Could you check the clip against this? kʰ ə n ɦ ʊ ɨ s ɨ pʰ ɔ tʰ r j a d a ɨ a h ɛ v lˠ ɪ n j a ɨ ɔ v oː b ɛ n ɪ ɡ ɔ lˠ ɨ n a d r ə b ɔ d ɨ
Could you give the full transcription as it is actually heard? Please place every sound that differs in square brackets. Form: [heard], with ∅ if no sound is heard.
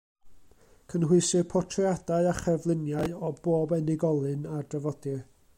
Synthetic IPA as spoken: kʰ ə n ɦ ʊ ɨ s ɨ pʰ ɔ tʰ r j a d a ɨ a [χ] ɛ v lˠ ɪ n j a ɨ ɔ [b] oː b ɛ n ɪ ɡ ɔ lˠ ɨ n a d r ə [v] ɔ d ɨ